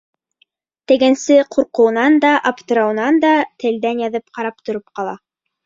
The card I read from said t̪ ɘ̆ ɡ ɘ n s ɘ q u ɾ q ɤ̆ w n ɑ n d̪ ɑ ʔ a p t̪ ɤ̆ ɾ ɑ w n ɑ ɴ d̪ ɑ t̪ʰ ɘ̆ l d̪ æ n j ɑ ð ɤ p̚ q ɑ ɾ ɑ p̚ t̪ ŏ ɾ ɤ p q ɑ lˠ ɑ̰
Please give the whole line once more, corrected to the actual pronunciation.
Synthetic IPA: t̪ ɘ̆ ɡ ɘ n s ɘ q u ɾ q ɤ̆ w n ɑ n d̪ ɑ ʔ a p t̪ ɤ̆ ɾ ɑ w n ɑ n d̪ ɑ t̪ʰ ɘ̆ l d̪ æ n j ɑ ð ɤ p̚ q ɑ ɾ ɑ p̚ t̪ ŏ ɾ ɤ p q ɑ lˠ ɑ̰